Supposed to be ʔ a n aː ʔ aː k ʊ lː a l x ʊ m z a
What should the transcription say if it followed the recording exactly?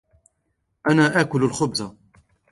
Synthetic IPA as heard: ʔ a n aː ʔ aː k ʊ l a l x ʊ b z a